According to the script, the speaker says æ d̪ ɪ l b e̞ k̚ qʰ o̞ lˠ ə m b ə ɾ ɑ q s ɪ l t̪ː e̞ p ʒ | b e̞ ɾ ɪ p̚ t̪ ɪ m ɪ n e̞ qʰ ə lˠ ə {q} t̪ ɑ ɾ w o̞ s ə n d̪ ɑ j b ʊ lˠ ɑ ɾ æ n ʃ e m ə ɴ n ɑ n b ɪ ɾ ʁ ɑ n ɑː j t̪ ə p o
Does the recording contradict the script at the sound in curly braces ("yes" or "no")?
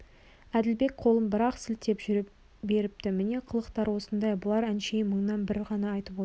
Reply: no